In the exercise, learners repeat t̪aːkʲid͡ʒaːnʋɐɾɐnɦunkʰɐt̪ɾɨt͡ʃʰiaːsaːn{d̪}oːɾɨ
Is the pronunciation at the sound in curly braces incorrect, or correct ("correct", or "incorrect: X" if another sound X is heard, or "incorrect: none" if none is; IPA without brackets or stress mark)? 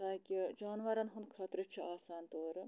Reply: incorrect: t̪